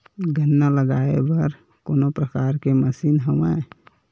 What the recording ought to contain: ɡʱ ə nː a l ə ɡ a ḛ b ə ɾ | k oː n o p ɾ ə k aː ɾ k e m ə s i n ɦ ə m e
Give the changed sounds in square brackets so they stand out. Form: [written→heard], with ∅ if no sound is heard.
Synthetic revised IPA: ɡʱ ə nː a l ə ɡ a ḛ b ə ɾ | k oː n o p ɾ ə k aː ɾ k e m ə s i n ɦ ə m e